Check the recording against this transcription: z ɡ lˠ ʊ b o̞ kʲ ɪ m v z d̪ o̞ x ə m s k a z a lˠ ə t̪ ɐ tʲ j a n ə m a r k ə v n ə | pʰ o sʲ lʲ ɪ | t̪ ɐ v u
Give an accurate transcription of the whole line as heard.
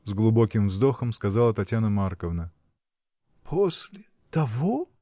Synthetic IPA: z ɡ lˠ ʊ b o̞ kʲ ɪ m v z d̪ o̞ x ə m s k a z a lˠ ə t̪ ɐ tʲ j a n ə m a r k ə v n ə | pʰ o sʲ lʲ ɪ | t̪ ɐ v o